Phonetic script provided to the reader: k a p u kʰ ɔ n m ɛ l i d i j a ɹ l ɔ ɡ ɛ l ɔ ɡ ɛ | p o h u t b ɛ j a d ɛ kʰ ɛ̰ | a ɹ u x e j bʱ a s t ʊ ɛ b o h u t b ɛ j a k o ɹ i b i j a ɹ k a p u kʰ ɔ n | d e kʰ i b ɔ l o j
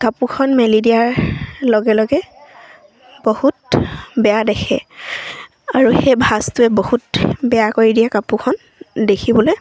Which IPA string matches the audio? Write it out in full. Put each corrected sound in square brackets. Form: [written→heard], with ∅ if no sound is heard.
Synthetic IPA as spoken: k a p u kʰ ɔ n m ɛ l i d i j a ɹ l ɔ ɡ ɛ l ɔ ɡ ɛ | [p→b] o h u t b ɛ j a d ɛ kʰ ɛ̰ | a ɹ u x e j bʱ a s t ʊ ɛ b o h u t b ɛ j a k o ɹ i [b→d] i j a [ɹ→∅] k a p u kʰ ɔ n | d e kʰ i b ɔ l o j